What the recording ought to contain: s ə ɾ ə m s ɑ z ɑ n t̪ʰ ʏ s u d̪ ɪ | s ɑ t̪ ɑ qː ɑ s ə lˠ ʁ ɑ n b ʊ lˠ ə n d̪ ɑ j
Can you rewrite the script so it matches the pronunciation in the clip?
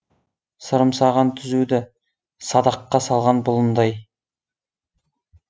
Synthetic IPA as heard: s ə ɾ ə m s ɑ ʁ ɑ n t̪ʰ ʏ z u d̪ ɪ | s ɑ d̪ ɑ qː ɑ s ɑ lˠ ʁ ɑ n b ʊ lˠ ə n d̪ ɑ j

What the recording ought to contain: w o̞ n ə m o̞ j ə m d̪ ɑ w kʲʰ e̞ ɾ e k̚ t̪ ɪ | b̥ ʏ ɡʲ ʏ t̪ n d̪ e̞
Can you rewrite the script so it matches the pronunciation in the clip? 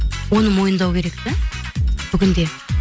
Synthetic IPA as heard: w o̞ n ə m o̞ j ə n d̪ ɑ w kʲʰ e̞ ɾ e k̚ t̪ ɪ | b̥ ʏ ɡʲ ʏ n d̪ e̞

